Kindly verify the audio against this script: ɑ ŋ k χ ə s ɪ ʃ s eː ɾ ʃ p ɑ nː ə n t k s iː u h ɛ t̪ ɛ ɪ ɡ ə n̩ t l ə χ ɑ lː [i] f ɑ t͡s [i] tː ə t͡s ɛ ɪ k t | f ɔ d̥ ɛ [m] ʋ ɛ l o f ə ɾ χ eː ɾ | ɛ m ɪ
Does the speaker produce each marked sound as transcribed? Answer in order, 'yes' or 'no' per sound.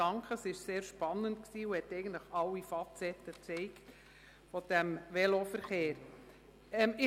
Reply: yes, no, yes

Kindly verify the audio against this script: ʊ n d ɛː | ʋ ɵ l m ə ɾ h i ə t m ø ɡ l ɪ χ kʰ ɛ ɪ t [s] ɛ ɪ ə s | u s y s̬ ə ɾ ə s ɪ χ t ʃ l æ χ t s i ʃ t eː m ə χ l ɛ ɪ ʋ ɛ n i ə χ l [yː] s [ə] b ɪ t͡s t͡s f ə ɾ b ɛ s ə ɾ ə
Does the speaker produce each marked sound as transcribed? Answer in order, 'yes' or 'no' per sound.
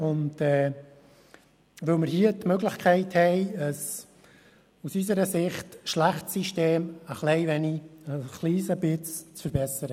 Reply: no, no, yes

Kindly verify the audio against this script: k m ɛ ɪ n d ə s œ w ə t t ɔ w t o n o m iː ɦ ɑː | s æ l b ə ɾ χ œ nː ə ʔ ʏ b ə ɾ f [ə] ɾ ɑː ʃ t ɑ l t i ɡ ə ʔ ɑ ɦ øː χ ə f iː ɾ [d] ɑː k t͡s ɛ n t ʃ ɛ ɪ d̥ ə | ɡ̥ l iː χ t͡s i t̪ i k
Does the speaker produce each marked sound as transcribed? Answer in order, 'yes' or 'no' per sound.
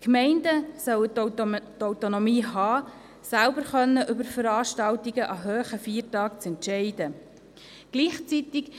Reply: yes, no

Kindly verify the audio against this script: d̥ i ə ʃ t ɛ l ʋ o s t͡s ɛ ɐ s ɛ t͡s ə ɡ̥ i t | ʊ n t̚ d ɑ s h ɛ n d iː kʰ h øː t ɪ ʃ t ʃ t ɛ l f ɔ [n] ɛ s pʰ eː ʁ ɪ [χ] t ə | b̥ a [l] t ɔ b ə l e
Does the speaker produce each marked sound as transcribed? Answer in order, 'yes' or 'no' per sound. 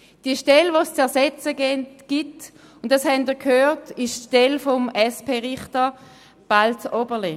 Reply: no, yes, yes

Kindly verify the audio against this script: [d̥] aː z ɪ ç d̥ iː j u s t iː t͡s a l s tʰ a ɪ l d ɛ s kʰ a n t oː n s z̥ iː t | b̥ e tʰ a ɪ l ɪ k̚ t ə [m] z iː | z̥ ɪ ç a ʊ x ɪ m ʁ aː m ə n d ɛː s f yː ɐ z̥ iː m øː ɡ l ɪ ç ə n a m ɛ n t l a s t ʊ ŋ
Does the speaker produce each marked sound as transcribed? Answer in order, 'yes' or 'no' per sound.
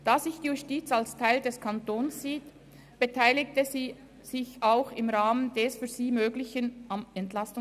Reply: yes, no

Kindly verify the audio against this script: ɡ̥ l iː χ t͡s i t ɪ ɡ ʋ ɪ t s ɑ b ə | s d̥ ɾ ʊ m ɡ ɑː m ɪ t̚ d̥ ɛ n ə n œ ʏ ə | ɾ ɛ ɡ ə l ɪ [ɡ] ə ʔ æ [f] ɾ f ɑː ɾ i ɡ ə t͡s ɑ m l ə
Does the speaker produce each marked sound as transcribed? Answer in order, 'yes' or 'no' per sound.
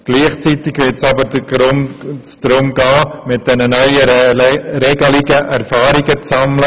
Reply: yes, no

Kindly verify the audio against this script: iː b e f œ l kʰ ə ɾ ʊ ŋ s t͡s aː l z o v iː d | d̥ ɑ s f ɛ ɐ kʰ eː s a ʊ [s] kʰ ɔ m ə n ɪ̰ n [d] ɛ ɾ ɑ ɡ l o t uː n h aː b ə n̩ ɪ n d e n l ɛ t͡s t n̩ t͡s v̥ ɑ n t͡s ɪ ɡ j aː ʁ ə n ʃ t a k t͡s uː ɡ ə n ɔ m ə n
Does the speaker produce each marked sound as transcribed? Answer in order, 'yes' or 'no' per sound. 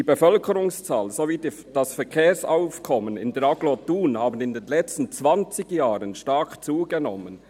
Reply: no, yes

